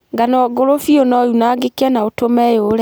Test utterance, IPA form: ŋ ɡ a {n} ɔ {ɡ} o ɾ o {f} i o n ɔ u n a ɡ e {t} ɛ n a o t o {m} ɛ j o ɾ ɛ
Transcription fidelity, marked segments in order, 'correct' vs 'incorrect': correct, correct, correct, incorrect, correct

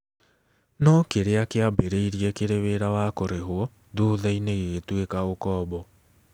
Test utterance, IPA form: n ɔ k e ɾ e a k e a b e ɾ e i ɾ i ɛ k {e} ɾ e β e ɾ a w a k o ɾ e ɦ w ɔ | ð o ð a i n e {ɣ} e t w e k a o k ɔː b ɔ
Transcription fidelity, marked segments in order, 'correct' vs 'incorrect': correct, correct

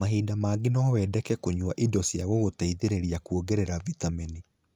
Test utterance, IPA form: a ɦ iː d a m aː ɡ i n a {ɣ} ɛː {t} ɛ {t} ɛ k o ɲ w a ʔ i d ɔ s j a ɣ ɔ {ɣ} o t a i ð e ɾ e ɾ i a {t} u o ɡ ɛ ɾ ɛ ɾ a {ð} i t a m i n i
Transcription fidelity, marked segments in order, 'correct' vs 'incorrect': incorrect, incorrect, incorrect, correct, incorrect, incorrect

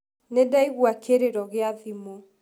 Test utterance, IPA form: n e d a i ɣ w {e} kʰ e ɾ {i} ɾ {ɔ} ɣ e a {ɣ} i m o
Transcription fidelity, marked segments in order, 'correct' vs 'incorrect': incorrect, incorrect, correct, incorrect

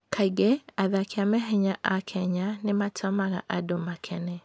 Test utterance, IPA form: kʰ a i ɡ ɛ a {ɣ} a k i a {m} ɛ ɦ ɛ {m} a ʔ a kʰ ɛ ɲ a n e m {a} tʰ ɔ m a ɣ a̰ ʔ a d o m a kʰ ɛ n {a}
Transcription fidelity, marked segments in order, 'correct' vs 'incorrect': incorrect, correct, incorrect, correct, incorrect

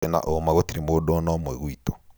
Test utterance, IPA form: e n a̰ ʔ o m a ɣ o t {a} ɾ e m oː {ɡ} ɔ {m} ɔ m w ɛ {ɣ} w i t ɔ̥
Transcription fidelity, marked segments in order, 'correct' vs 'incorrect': incorrect, incorrect, incorrect, correct

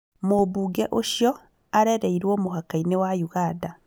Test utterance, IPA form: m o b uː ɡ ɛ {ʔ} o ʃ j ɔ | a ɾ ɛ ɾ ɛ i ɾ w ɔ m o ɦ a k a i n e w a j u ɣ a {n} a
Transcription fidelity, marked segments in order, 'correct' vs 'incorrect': correct, incorrect

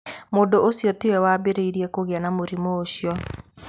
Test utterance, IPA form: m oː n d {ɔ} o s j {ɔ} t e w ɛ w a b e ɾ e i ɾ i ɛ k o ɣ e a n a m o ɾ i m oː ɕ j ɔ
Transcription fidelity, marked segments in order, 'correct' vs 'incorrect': incorrect, correct

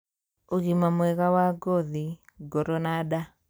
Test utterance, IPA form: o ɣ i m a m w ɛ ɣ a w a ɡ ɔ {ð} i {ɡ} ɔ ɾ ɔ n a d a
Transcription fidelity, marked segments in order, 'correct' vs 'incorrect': correct, correct

